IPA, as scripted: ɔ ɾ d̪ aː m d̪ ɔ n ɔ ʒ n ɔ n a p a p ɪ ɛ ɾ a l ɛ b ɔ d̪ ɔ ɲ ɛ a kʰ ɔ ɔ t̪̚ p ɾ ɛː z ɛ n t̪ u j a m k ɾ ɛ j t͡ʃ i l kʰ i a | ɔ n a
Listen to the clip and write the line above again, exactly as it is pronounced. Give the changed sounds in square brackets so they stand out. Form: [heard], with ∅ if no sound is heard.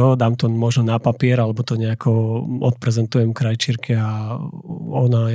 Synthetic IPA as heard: ɔ [∅] d̪ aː m [t̪] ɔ [m] ɔ ʒ n ɔ n a p a p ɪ ɛ ɾ a l ɛ b ɔ [t̪] ɔ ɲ ɛ a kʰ ɔ ɔ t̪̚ p ɾ [ɛ] z ɛ n t̪ u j [ɛ] m k ɾ [a] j t͡ʃ i [ɾ] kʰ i a | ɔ n a